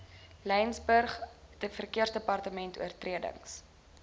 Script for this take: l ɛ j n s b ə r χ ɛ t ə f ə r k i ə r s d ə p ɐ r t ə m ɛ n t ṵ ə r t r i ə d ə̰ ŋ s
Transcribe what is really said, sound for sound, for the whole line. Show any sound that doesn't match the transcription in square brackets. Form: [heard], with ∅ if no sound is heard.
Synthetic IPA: l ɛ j n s b ə r χ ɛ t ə f ə r k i ə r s d ə p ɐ r t ə m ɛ n t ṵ ə r t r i ə d ə̰ ŋ s